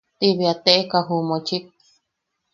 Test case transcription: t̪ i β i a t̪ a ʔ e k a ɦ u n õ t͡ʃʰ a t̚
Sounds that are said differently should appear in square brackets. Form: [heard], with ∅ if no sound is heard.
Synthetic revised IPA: t̪ i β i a t̪ [e] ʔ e k a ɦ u [m] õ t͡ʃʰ [i] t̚